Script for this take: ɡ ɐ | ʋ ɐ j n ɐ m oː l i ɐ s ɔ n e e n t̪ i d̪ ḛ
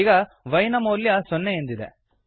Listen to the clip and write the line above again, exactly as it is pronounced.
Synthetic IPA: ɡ ɐ | ʋ ɐ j n ɐ m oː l j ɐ s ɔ nː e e n d̪ i d̪ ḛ